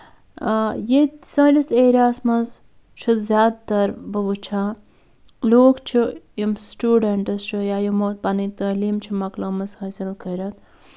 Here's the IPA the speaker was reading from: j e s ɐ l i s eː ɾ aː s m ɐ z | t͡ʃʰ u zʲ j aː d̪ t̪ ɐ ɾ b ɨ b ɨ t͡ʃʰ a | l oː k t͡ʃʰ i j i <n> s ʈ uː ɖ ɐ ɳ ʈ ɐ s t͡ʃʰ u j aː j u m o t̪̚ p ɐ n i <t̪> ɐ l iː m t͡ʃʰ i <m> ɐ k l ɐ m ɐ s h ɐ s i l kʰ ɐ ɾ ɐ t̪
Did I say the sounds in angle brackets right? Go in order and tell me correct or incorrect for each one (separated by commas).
incorrect, correct, correct